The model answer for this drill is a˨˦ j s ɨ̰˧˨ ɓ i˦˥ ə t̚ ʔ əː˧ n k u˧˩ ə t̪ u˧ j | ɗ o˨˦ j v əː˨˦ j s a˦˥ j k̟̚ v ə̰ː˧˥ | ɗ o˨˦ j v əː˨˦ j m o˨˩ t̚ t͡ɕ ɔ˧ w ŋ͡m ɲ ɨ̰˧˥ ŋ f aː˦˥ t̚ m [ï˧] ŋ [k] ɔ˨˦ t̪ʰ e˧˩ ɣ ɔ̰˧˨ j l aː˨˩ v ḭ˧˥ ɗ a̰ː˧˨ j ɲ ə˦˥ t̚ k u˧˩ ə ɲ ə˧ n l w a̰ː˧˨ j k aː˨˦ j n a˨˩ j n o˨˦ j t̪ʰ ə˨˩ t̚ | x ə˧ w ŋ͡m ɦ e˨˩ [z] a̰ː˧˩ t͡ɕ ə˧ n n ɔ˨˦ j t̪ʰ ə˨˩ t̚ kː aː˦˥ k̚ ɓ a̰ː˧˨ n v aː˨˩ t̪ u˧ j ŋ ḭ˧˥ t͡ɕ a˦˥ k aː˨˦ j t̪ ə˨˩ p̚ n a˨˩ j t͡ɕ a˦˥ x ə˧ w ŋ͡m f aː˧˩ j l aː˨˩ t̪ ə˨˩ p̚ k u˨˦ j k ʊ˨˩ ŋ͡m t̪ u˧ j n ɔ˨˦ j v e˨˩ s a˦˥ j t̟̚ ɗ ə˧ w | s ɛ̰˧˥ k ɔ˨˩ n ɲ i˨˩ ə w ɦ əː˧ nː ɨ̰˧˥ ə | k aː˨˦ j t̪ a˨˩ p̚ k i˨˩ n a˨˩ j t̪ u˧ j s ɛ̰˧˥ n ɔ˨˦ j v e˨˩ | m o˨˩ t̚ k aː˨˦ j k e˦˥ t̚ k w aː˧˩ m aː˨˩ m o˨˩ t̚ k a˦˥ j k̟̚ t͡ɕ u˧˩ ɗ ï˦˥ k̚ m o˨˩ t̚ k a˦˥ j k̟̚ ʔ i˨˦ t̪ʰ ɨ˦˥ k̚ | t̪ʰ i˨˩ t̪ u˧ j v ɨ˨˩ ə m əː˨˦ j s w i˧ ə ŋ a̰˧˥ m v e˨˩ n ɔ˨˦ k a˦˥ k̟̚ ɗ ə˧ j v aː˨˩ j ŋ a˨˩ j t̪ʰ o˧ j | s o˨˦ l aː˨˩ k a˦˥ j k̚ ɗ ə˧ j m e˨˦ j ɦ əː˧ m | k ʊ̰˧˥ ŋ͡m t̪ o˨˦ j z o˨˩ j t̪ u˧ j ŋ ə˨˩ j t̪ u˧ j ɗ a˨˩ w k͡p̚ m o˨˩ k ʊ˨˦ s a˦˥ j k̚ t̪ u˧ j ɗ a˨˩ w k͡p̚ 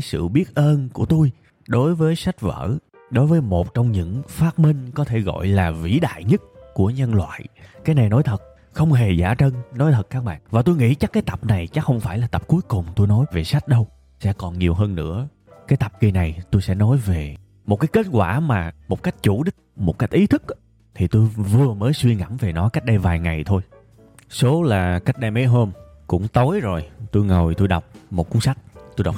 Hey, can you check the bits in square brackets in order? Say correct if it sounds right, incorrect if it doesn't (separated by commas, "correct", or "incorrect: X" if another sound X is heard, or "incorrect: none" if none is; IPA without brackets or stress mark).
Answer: correct, correct, correct